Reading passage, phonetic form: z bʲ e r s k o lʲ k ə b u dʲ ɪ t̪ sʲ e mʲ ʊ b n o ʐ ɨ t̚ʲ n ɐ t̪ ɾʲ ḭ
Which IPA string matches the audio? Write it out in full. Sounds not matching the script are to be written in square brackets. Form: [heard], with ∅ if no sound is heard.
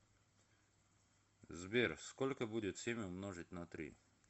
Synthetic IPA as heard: z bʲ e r s k o lʲ k ə b u dʲ ɪ t̪ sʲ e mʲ ʊ [m] n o ʐ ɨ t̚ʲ n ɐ t̪ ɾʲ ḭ